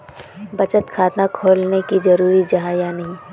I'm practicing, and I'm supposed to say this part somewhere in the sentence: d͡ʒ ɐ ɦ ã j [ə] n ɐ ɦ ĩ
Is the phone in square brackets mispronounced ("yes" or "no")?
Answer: yes